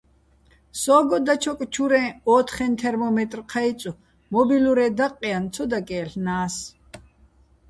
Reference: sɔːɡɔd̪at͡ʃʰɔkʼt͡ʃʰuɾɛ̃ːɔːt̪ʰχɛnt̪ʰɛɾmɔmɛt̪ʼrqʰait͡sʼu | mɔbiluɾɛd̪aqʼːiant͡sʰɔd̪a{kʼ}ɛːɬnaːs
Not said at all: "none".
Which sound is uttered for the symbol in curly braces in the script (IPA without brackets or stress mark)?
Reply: kʼ